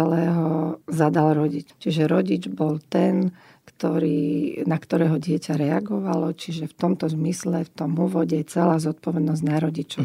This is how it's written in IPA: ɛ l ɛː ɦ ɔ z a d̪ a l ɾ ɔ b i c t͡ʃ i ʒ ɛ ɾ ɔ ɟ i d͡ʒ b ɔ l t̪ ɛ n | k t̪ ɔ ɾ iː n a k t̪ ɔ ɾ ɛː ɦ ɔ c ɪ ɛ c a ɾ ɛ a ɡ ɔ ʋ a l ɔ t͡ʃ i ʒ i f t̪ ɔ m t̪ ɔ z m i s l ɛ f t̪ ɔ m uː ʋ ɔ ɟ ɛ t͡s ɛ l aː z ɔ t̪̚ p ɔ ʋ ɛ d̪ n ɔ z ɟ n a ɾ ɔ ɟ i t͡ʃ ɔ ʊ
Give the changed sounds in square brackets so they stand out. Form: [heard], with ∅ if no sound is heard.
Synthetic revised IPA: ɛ l ɛː ɦ ɔ z a d̪ a l ɾ ɔ [ɟ] i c t͡ʃ i ʒ ɛ ɾ ɔ ɟ i d͡ʒ b ɔ l t̪ ɛ n | k t̪ ɔ ɾ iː n a k t̪ ɔ ɾ ɛː ɦ ɔ [ɟ] ɪ ɛ c a ɾ ɛ a ɡ ɔ ʋ a l ɔ t͡ʃ i ʒ [ɛ] f t̪ ɔ m t̪ ɔ z m i s l ɛ f t̪ ɔ m uː ʋ ɔ ɟ ɛ t͡s ɛ l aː z ɔ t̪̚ p ɔ ʋ ɛ d̪ n ɔ z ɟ n a ɾ ɔ ɟ i t͡ʃ ɔ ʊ